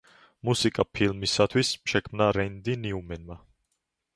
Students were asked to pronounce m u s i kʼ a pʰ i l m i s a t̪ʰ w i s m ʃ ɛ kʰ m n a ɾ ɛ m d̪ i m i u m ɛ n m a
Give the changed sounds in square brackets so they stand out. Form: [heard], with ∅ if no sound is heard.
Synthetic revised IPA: m u s i kʼ a pʰ i l m i s a t̪ʰ w i s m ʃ ɛ kʰ m n a ɾ ɛ [n] d̪ i [n] i u m ɛ n m a

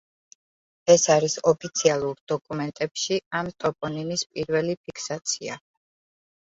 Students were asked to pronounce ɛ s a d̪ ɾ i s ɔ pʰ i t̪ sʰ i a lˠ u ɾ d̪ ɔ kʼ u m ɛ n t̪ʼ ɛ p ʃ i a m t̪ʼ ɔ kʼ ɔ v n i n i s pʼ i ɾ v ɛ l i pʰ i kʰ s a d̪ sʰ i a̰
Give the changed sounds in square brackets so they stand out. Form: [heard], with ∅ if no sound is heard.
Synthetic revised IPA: ɛ s a [∅] ɾ i s ɔ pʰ i t̪ sʰ i a lˠ u ɾ d̪ ɔ kʼ u m ɛ n t̪ʼ ɛ p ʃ i a m t̪ʼ ɔ [pʼ] ɔ [∅] n i n i s pʼ i ɾ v ɛ l i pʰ i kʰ s a [t̪] sʰ i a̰

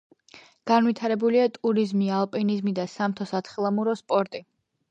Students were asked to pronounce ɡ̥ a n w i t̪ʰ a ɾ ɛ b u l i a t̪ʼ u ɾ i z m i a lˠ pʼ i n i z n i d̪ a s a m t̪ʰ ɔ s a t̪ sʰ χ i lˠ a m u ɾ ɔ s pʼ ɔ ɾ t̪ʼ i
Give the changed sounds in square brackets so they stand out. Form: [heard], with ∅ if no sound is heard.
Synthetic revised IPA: ɡ̥ a n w i t̪ʰ a ɾ ɛ b u l i a t̪ʼ u ɾ i z m i a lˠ pʼ i n i z [m] i d̪ a s a m t̪ʰ ɔ s a t̪ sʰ χ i lˠ a m u ɾ ɔ s pʼ ɔ ɾ t̪ʼ i

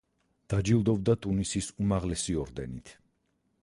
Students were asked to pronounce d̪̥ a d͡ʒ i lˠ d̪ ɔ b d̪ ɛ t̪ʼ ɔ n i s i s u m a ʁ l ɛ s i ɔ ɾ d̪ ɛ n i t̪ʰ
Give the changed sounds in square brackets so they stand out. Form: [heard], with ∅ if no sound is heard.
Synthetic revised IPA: d̪̥ a d͡ʒ i lˠ d̪ ɔ b d̪ [a] t̪ʼ [u] n i s i s u m a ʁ l ɛ s i ɔ ɾ d̪ ɛ n i t̪ʰ

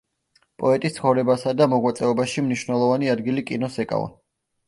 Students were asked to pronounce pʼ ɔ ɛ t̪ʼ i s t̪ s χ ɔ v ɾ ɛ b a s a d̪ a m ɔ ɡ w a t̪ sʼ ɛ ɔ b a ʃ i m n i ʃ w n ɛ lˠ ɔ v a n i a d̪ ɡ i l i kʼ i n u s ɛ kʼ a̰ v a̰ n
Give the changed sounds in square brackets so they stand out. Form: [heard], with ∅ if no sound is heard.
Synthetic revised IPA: pʼ ɔ ɛ t̪ʼ i s t̪ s χ ɔ v ɾ ɛ b a s a d̪ a m ɔ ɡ w a t̪ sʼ ɛ ɔ b a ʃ i m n i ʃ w n ɛ lˠ ɔ v a n i a d̪ ɡ i l i kʼ i n [ɔ] s ɛ kʼ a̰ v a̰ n

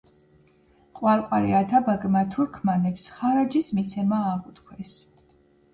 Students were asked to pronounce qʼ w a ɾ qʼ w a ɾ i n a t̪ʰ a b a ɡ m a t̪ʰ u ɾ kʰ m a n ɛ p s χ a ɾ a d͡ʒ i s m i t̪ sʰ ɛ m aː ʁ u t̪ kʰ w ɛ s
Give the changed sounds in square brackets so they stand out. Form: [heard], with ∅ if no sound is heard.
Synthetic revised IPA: qʼ w a ɾ qʼ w a ɾ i [∅] a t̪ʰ a b a ɡ m a t̪ʰ u ɾ kʰ m a n ɛ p s χ a ɾ a d͡ʒ i s m i t̪ sʰ ɛ m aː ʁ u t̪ kʰ w ɛ s

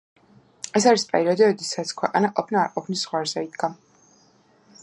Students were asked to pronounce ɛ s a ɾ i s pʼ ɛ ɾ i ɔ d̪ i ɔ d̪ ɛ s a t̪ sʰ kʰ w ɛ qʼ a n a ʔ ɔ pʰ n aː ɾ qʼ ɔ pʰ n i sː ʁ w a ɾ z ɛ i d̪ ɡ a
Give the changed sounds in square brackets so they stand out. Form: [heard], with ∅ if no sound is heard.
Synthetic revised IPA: ɛ s a ɾ i s pʼ ɛ ɾ i ɔ d̪ i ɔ d̪ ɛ s a t̪ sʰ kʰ w ɛ qʼ a n a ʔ ɔ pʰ n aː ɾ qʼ ɔ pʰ n i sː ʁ w a ɾ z ɛ i d̪ ɡ a

